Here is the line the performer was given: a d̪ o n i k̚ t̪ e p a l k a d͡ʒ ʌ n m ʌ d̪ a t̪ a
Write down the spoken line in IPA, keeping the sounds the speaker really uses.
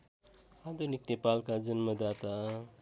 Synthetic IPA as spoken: a d̪ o n i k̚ t̪ e p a l k a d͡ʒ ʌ n m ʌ d̪ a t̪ a